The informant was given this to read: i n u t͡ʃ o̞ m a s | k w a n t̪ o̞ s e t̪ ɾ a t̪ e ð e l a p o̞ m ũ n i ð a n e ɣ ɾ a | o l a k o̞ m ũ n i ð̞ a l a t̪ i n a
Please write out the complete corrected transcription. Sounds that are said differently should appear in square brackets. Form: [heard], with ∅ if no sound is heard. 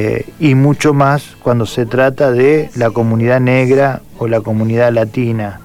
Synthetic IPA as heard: i [m] u t͡ʃ o̞ m a s | k w a n [d̪] o̞ s e t̪ ɾ a t̪ [a] ð e l a [k] o̞ m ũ n i ð a n e ɣ ɾ a | o l a k o̞ m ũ n i ð̞ a l a t̪ i n a